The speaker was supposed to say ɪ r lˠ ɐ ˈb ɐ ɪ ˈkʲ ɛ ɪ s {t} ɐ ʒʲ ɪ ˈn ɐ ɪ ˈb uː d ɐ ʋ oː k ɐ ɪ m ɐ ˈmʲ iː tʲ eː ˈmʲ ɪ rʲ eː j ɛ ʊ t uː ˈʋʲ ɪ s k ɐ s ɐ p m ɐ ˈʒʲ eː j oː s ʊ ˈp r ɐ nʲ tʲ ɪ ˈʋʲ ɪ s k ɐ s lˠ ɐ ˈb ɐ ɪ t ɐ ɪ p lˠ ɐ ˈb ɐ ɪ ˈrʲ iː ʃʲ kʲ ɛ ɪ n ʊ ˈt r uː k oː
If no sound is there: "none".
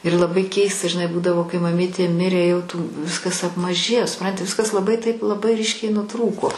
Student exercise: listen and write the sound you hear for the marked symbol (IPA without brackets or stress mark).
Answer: t